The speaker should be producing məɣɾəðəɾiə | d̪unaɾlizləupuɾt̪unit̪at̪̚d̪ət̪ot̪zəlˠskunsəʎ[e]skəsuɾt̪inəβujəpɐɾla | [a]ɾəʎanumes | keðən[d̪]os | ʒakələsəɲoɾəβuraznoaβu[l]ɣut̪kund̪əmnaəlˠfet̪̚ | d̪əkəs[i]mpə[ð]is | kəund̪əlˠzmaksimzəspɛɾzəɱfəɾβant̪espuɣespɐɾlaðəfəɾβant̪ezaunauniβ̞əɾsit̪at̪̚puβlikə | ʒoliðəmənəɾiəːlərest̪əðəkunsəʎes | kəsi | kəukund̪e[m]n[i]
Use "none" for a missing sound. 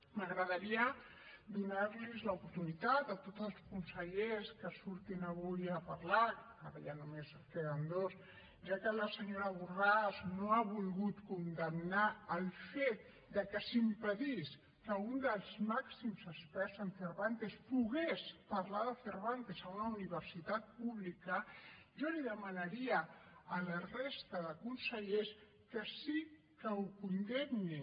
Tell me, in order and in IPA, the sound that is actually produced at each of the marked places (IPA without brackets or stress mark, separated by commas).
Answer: e, a, d̪, l, i, ð, m, i